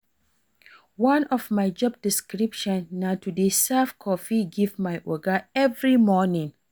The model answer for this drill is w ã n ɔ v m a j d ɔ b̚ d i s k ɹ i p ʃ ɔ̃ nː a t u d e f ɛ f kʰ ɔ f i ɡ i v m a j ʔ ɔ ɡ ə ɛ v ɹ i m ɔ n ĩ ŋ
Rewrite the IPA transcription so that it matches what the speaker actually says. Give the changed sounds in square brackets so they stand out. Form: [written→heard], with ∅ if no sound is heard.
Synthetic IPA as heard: w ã n ɔ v m a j [d→d͡ʒ] ɔ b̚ d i s k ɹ i p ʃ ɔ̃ nː a t u d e [f→s] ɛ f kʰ ɔ f i ɡ i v m a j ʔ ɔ ɡ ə ɛ v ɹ i m ɔ n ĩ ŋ